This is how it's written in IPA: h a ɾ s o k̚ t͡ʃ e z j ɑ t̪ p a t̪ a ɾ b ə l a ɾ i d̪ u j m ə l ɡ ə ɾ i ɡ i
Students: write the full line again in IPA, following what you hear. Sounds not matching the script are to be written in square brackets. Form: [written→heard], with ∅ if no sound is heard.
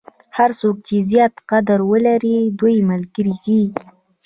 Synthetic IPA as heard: h a ɾ s o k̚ t͡ʃ e z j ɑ t̪ [p→q] a [t̪→d̪] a ɾ [b→w] ə l a ɾ i d̪ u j m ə l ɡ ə ɾ i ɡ i